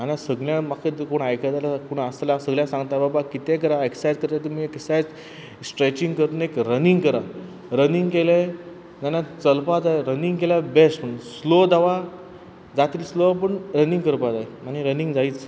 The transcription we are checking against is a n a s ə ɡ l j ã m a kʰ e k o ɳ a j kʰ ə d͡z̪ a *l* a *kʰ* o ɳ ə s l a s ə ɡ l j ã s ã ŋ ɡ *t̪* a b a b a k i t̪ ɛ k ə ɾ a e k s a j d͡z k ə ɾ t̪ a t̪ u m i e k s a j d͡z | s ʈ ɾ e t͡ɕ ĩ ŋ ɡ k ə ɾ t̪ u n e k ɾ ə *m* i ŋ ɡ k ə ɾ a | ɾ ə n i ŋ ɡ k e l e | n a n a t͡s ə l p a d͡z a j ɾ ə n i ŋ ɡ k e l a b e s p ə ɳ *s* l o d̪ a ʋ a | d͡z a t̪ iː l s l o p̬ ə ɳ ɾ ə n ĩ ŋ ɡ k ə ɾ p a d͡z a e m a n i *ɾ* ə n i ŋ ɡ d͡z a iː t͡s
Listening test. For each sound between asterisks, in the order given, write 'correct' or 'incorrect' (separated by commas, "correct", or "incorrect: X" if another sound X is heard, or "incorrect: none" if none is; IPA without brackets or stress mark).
correct, incorrect: k, correct, incorrect: n, correct, correct